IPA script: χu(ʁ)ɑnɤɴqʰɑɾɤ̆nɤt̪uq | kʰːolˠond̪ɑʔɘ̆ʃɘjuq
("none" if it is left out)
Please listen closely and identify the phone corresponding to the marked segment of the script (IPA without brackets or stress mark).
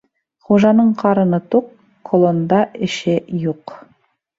ʒ